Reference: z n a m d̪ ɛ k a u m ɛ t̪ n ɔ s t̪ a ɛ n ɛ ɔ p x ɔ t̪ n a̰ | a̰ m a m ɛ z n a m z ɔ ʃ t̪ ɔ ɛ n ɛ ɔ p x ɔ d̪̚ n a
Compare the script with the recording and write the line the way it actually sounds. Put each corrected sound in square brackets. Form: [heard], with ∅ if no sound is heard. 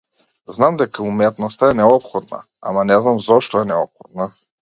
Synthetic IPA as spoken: z n a m d̪ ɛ k a u m ɛ t̪ n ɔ s t̪ a ɛ n ɛ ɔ p x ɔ [d̪] n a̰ | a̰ m a [n] ɛ z n a m z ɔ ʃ t̪ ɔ ɛ n ɛ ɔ p x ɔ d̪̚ n a